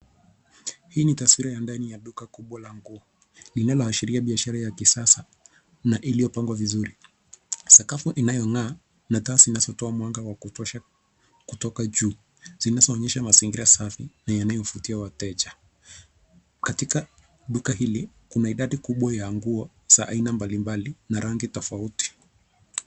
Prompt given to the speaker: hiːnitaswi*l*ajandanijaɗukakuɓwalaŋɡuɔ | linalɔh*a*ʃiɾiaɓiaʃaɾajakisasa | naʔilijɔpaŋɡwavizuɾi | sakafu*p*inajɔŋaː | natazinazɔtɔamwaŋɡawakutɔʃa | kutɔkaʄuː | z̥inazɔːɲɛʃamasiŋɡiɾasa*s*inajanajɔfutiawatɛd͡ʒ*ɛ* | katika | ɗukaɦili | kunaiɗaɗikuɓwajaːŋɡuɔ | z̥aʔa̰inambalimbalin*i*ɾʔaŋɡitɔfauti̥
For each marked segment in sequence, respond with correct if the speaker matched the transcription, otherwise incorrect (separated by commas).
incorrect, correct, incorrect, incorrect, incorrect, incorrect